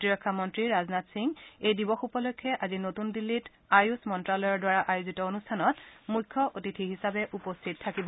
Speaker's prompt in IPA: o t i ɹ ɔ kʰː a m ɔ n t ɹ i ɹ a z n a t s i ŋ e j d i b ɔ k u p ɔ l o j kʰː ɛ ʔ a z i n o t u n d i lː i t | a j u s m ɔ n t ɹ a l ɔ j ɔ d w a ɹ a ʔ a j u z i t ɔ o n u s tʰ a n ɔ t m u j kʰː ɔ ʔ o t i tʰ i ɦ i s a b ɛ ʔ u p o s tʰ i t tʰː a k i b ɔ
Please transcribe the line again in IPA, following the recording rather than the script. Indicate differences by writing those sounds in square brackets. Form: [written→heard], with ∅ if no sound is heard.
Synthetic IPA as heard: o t i ɹ ɔ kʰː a m ɔ n t ɹ i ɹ a z n a t s i ŋ e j d i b ɔ [k→x] u p ɔ l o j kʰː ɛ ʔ a z i n o t u n d i lː i t | a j u s m ɔ n t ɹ a l ɔ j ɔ d w a ɹ a ʔ a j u z i t ɔ o n u s tʰ a n ɔ t m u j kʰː ɔ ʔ o t i tʰ i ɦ i s a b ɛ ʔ u p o s tʰ i t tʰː a k i b ɔ

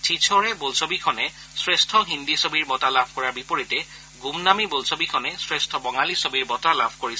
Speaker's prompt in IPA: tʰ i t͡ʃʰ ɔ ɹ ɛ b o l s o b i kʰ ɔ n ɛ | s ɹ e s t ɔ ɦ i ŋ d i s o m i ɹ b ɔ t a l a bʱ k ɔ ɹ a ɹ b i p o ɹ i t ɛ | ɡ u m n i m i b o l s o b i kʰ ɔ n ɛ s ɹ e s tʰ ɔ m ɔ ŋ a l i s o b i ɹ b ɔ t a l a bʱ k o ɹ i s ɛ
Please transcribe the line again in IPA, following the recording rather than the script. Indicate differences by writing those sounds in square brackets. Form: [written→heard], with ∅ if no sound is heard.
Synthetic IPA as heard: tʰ i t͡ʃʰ ɔ ɹ ɛ b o l s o b i kʰ ɔ n ɛ | s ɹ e s [t→tʰ] ɔ ɦ i [ŋ→n] d i s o [m→b] i ɹ b ɔ t a l a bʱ k ɔ ɹ a ɹ b i p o ɹ i t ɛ | ɡ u m n [i→a] m i b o l s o b i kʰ ɔ n ɛ s ɹ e s tʰ ɔ [m→b] ɔ ŋ a l i s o b i ɹ b ɔ t a l a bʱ k o ɹ i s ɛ

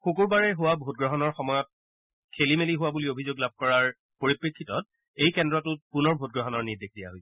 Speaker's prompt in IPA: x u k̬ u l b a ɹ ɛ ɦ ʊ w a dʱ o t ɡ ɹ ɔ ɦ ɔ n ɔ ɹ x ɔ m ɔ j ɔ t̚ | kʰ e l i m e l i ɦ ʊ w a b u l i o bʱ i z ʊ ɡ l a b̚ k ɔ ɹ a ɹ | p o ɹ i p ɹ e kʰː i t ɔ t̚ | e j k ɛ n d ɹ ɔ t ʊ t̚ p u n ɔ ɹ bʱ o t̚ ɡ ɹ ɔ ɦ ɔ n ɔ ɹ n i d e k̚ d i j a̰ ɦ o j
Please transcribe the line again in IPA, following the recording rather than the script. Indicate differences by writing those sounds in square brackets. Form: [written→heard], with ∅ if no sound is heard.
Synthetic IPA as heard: x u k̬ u [l→ɹ] b a ɹ ɛ ɦ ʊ w a [dʱ→bʱ] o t ɡ ɹ ɔ ɦ ɔ n ɔ ɹ x ɔ m ɔ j ɔ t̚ | kʰ e l i m e l i ɦ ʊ w a b u l i o bʱ i z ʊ ɡ l a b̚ k ɔ ɹ a ɹ | p o ɹ i p ɹ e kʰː i t ɔ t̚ | e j k ɛ n d ɹ ɔ t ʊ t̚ p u n ɔ ɹ bʱ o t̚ ɡ ɹ ɔ ɦ ɔ n ɔ ɹ n i d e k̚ d i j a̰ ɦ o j

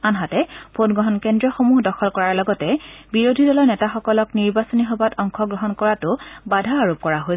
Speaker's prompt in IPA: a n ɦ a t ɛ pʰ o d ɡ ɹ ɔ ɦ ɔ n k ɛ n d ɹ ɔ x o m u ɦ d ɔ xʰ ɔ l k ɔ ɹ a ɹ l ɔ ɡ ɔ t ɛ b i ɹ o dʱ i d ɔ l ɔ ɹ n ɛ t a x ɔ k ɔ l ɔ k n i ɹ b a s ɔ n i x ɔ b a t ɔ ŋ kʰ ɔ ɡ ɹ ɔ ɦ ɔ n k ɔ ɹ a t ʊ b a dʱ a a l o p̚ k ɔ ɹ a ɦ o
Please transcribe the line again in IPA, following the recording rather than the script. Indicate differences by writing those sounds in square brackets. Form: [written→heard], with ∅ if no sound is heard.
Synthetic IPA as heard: a n ɦ a t ɛ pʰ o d ɡ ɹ ɔ ɦ ɔ n k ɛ n d ɹ ɔ x o m u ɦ d ɔ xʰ ɔ l k ɔ ɹ a ɹ l ɔ ɡ ɔ t ɛ b i ɹ o dʱ i d ɔ l ɔ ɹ n ɛ t a x ɔ k ɔ l ɔ k n i ɹ b a s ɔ n i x ɔ b a t ɔ ŋ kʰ ɔ ɡ ɹ ɔ ɦ ɔ n k ɔ ɹ a t ʊ b a dʱ a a [l→ɹ] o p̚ k ɔ ɹ a ɦ o

